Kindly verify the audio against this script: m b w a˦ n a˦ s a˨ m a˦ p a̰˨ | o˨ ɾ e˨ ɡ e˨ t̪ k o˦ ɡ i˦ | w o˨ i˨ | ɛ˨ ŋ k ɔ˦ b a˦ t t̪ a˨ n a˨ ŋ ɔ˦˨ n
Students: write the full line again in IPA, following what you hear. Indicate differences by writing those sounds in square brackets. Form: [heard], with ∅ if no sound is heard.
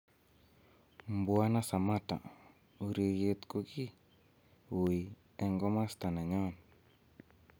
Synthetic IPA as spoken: m b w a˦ n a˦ s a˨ m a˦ [t] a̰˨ | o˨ ɾ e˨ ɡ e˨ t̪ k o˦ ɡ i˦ | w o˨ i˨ | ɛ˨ ŋ [ɡ] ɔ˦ [m] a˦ [s] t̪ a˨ n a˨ [ɲ] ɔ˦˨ n